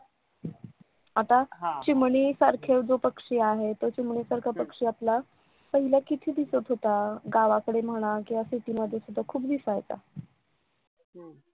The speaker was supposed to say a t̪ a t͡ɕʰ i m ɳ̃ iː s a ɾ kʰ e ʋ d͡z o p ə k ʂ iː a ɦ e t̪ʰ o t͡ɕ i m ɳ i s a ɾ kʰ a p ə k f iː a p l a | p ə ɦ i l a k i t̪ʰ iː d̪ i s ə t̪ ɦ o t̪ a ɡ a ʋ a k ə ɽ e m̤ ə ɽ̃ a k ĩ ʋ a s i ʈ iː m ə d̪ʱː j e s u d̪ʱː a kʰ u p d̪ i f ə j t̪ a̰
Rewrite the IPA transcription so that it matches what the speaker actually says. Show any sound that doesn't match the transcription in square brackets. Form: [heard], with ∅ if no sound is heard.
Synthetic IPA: a t̪ a [t͡ɕ] i m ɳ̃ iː s a ɾ kʰ e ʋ d͡z o p ə k ʂ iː a ɦ e [t̪] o t͡ɕ i m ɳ i s a ɾ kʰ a p ə k [ʂ] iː a p l a | p ə ɦ i l a k i t̪ʰ iː d̪ i s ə t̪ ɦ o t̪ a ɡ a ʋ a k ə ɽ e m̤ ə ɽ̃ a k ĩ ʋ a s i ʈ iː m ə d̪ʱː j e s u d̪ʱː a kʰ [uː] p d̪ i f [a] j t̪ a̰